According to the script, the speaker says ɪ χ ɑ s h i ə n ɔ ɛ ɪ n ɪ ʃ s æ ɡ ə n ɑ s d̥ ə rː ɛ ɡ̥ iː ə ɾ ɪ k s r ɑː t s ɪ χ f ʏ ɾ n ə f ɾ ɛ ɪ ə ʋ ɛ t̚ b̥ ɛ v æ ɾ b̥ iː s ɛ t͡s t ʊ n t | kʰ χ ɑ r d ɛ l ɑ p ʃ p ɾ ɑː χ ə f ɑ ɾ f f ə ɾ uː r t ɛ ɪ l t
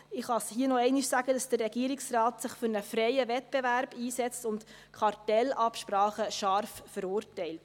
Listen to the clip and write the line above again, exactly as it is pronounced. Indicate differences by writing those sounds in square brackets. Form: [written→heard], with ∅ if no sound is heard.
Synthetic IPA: ɪ χ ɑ s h i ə n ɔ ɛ ɪ n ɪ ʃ s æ ɡ ə [n→d] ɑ s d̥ ə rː ɛ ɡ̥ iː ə ɾ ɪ k s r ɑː t s ɪ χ f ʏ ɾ n ə f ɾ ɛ ɪ ə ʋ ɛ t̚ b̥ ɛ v æ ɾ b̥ iː s ɛ t͡s t ʊ n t | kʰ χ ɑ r [d→t] ɛ l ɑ p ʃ p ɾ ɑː χ ə [f→ʃ] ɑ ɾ f f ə ɾ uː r t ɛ ɪ l t